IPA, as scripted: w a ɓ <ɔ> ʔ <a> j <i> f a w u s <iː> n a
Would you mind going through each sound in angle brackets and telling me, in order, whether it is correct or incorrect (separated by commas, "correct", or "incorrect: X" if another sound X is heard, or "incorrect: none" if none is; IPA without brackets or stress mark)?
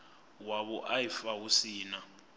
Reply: correct, correct, correct, correct